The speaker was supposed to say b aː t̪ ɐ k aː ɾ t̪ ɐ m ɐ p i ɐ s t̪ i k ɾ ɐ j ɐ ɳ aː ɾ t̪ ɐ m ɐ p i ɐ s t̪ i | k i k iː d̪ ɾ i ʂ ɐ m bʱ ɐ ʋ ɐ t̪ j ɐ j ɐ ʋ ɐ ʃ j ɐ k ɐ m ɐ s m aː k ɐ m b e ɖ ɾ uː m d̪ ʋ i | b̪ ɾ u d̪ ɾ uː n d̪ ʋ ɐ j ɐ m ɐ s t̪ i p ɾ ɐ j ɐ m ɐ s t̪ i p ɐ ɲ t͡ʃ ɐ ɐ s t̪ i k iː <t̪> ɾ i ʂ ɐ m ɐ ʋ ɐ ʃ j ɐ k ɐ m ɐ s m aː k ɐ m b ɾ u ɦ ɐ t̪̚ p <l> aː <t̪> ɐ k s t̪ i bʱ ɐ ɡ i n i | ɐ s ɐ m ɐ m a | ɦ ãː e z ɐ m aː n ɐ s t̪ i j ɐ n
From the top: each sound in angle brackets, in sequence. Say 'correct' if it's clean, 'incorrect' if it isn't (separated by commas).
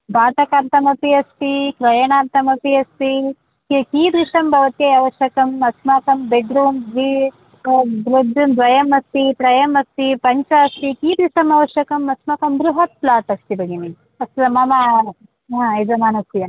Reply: incorrect, correct, correct